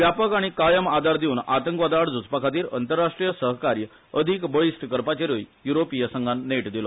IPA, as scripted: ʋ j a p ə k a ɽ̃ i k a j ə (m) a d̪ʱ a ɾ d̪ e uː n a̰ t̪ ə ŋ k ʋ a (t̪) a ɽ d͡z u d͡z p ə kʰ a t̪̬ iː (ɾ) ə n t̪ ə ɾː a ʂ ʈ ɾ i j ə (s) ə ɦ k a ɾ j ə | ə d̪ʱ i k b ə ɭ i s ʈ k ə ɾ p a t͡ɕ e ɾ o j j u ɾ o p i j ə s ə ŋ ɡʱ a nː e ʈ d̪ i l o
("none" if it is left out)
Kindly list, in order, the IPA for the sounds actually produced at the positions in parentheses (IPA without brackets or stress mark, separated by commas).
m, d̪, ɾ, s